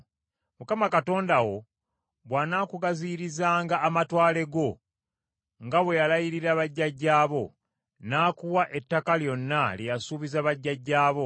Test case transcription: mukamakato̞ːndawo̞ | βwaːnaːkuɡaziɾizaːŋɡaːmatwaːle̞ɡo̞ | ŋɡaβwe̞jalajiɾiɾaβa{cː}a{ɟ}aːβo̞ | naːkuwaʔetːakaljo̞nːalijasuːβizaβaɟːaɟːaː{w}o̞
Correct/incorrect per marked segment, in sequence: incorrect: ɟː, incorrect: ɟː, incorrect: β

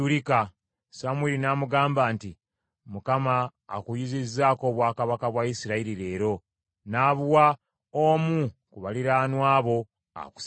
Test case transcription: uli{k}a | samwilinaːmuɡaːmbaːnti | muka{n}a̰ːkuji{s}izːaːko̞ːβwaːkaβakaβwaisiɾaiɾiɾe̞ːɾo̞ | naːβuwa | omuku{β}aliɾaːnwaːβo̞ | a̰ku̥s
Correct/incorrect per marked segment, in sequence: correct, incorrect: m, incorrect: z, correct

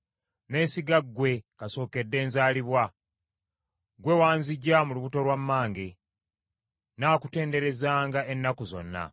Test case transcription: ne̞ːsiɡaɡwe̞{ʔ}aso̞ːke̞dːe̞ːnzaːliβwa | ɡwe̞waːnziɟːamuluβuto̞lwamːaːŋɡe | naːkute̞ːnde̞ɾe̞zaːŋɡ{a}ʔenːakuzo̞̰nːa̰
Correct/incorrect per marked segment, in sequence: incorrect: k, correct

